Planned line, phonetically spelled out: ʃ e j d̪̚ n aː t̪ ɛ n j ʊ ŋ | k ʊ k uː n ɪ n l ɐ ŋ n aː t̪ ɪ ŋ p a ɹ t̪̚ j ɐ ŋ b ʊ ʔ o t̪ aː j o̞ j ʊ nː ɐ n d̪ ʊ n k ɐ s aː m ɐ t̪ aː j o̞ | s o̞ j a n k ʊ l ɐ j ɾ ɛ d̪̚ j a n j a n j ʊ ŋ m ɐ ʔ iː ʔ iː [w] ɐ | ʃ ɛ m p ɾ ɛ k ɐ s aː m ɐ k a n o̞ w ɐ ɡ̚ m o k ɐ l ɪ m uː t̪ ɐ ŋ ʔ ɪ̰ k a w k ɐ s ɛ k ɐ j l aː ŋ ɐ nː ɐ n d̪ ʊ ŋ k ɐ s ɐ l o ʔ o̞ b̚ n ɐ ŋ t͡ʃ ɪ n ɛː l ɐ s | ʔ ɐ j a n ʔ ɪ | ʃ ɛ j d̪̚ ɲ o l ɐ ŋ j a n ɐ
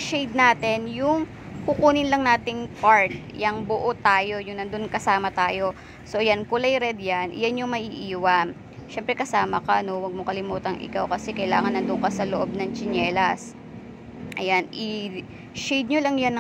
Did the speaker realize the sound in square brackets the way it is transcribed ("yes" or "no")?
yes